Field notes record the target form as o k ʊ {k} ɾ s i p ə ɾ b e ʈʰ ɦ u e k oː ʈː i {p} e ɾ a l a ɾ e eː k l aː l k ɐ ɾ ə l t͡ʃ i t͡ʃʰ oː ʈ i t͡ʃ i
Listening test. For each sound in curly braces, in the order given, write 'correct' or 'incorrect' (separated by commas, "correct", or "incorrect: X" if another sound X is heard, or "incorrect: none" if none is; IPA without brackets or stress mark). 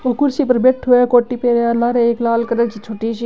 incorrect: none, correct